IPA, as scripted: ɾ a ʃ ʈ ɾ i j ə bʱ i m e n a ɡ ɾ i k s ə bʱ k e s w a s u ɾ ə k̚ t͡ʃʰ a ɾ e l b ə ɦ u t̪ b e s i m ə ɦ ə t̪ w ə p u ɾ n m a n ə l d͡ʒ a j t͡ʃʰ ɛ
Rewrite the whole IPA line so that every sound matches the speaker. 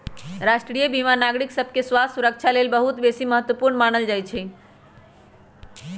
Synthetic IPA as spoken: ɾ a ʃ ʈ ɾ i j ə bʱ i m a n a ɡ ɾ i k s ə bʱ k e s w a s u ɾ ə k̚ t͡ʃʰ a l e l b ə ɦ u t̪ b e s i m ə ɦ ə t̪ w ə p u ɾ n m a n ə l d͡ʒ a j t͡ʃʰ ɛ